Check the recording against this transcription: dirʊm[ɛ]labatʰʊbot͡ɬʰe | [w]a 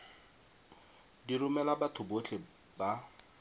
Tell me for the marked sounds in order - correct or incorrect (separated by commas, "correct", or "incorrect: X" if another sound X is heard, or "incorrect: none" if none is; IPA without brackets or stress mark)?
correct, incorrect: b